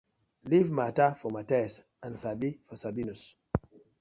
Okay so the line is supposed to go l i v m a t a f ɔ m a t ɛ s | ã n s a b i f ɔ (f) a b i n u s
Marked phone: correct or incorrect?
incorrect